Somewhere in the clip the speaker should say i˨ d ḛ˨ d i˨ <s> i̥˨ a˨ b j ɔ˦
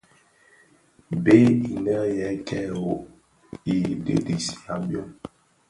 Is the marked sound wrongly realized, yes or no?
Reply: no